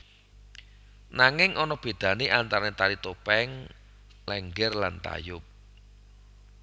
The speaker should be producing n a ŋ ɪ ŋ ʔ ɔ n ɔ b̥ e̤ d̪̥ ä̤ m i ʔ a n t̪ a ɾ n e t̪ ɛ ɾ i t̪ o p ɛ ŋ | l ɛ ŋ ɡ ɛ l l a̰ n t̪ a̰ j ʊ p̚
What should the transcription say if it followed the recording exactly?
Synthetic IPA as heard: n a ŋ ɪ ŋ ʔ ɔ n ɔ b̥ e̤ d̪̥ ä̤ n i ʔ a n t̪ a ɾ n e t̪ a ɾ i t̪ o p ɛ ŋ | l ɛ ŋ ɡ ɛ r l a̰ n t̪ a̰ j ʊ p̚